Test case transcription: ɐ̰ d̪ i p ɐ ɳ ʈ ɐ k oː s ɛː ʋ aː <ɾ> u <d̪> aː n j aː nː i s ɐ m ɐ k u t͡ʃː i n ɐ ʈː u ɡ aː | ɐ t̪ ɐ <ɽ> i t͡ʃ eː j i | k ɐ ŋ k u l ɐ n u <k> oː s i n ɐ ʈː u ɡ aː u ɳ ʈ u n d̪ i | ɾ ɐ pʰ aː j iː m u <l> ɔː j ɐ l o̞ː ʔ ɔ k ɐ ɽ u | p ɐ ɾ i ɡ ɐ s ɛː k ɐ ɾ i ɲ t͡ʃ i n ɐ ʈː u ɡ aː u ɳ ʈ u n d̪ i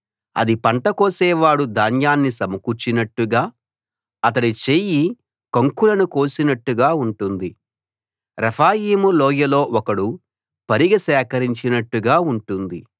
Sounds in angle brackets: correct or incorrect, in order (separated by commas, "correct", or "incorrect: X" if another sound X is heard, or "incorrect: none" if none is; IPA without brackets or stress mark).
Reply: incorrect: ɽ, correct, correct, correct, correct